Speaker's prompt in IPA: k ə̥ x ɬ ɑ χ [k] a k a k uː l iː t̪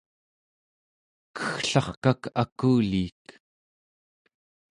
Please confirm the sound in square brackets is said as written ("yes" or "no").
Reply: yes